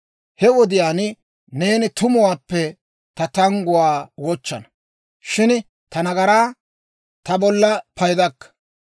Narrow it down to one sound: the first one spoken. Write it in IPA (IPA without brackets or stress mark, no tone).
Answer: h